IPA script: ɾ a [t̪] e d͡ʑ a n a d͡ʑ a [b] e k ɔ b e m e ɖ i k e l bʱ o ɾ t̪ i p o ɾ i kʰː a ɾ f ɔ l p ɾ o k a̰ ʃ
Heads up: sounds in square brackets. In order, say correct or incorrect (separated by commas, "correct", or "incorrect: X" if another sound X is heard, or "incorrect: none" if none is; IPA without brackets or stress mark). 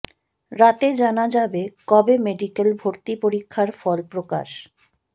correct, correct